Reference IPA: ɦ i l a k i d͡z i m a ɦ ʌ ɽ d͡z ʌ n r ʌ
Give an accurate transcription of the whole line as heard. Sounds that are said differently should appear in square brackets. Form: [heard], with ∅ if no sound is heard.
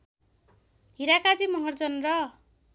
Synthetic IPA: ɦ i [ɾ] a k [a] d͡z i m [ʌ] ɦ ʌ [r] d͡z ʌ n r ʌ